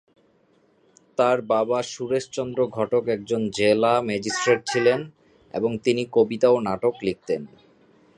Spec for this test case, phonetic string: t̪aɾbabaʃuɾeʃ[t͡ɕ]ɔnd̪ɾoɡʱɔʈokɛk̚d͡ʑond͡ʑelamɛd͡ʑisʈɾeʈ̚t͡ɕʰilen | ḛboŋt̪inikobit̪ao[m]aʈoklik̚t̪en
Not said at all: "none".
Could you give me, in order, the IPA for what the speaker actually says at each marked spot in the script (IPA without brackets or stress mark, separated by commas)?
t͡ɕ, n